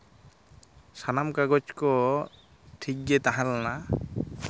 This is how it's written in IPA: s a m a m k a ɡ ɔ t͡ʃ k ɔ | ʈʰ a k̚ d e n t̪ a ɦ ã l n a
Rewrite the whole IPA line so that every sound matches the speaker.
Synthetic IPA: s a n a m k a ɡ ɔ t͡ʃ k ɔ | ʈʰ i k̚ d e t̪ a ɦ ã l n a